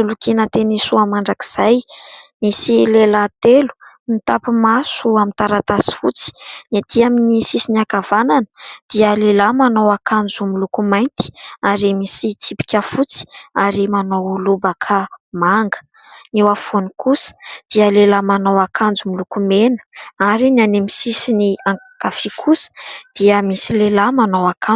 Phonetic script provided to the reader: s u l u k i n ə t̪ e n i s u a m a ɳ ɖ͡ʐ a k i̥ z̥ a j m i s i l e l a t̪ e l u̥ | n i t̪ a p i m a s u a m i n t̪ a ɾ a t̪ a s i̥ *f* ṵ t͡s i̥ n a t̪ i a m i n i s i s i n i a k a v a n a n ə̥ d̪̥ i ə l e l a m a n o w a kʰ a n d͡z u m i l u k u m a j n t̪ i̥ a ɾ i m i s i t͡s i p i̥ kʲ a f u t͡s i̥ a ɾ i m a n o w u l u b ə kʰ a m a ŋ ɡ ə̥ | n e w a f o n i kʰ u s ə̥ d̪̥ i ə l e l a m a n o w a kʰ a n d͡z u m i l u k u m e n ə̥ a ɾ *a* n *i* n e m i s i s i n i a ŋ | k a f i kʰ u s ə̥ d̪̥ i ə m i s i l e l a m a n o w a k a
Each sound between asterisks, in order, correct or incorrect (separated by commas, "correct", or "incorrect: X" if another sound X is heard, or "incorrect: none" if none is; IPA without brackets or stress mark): correct, incorrect: i, incorrect: a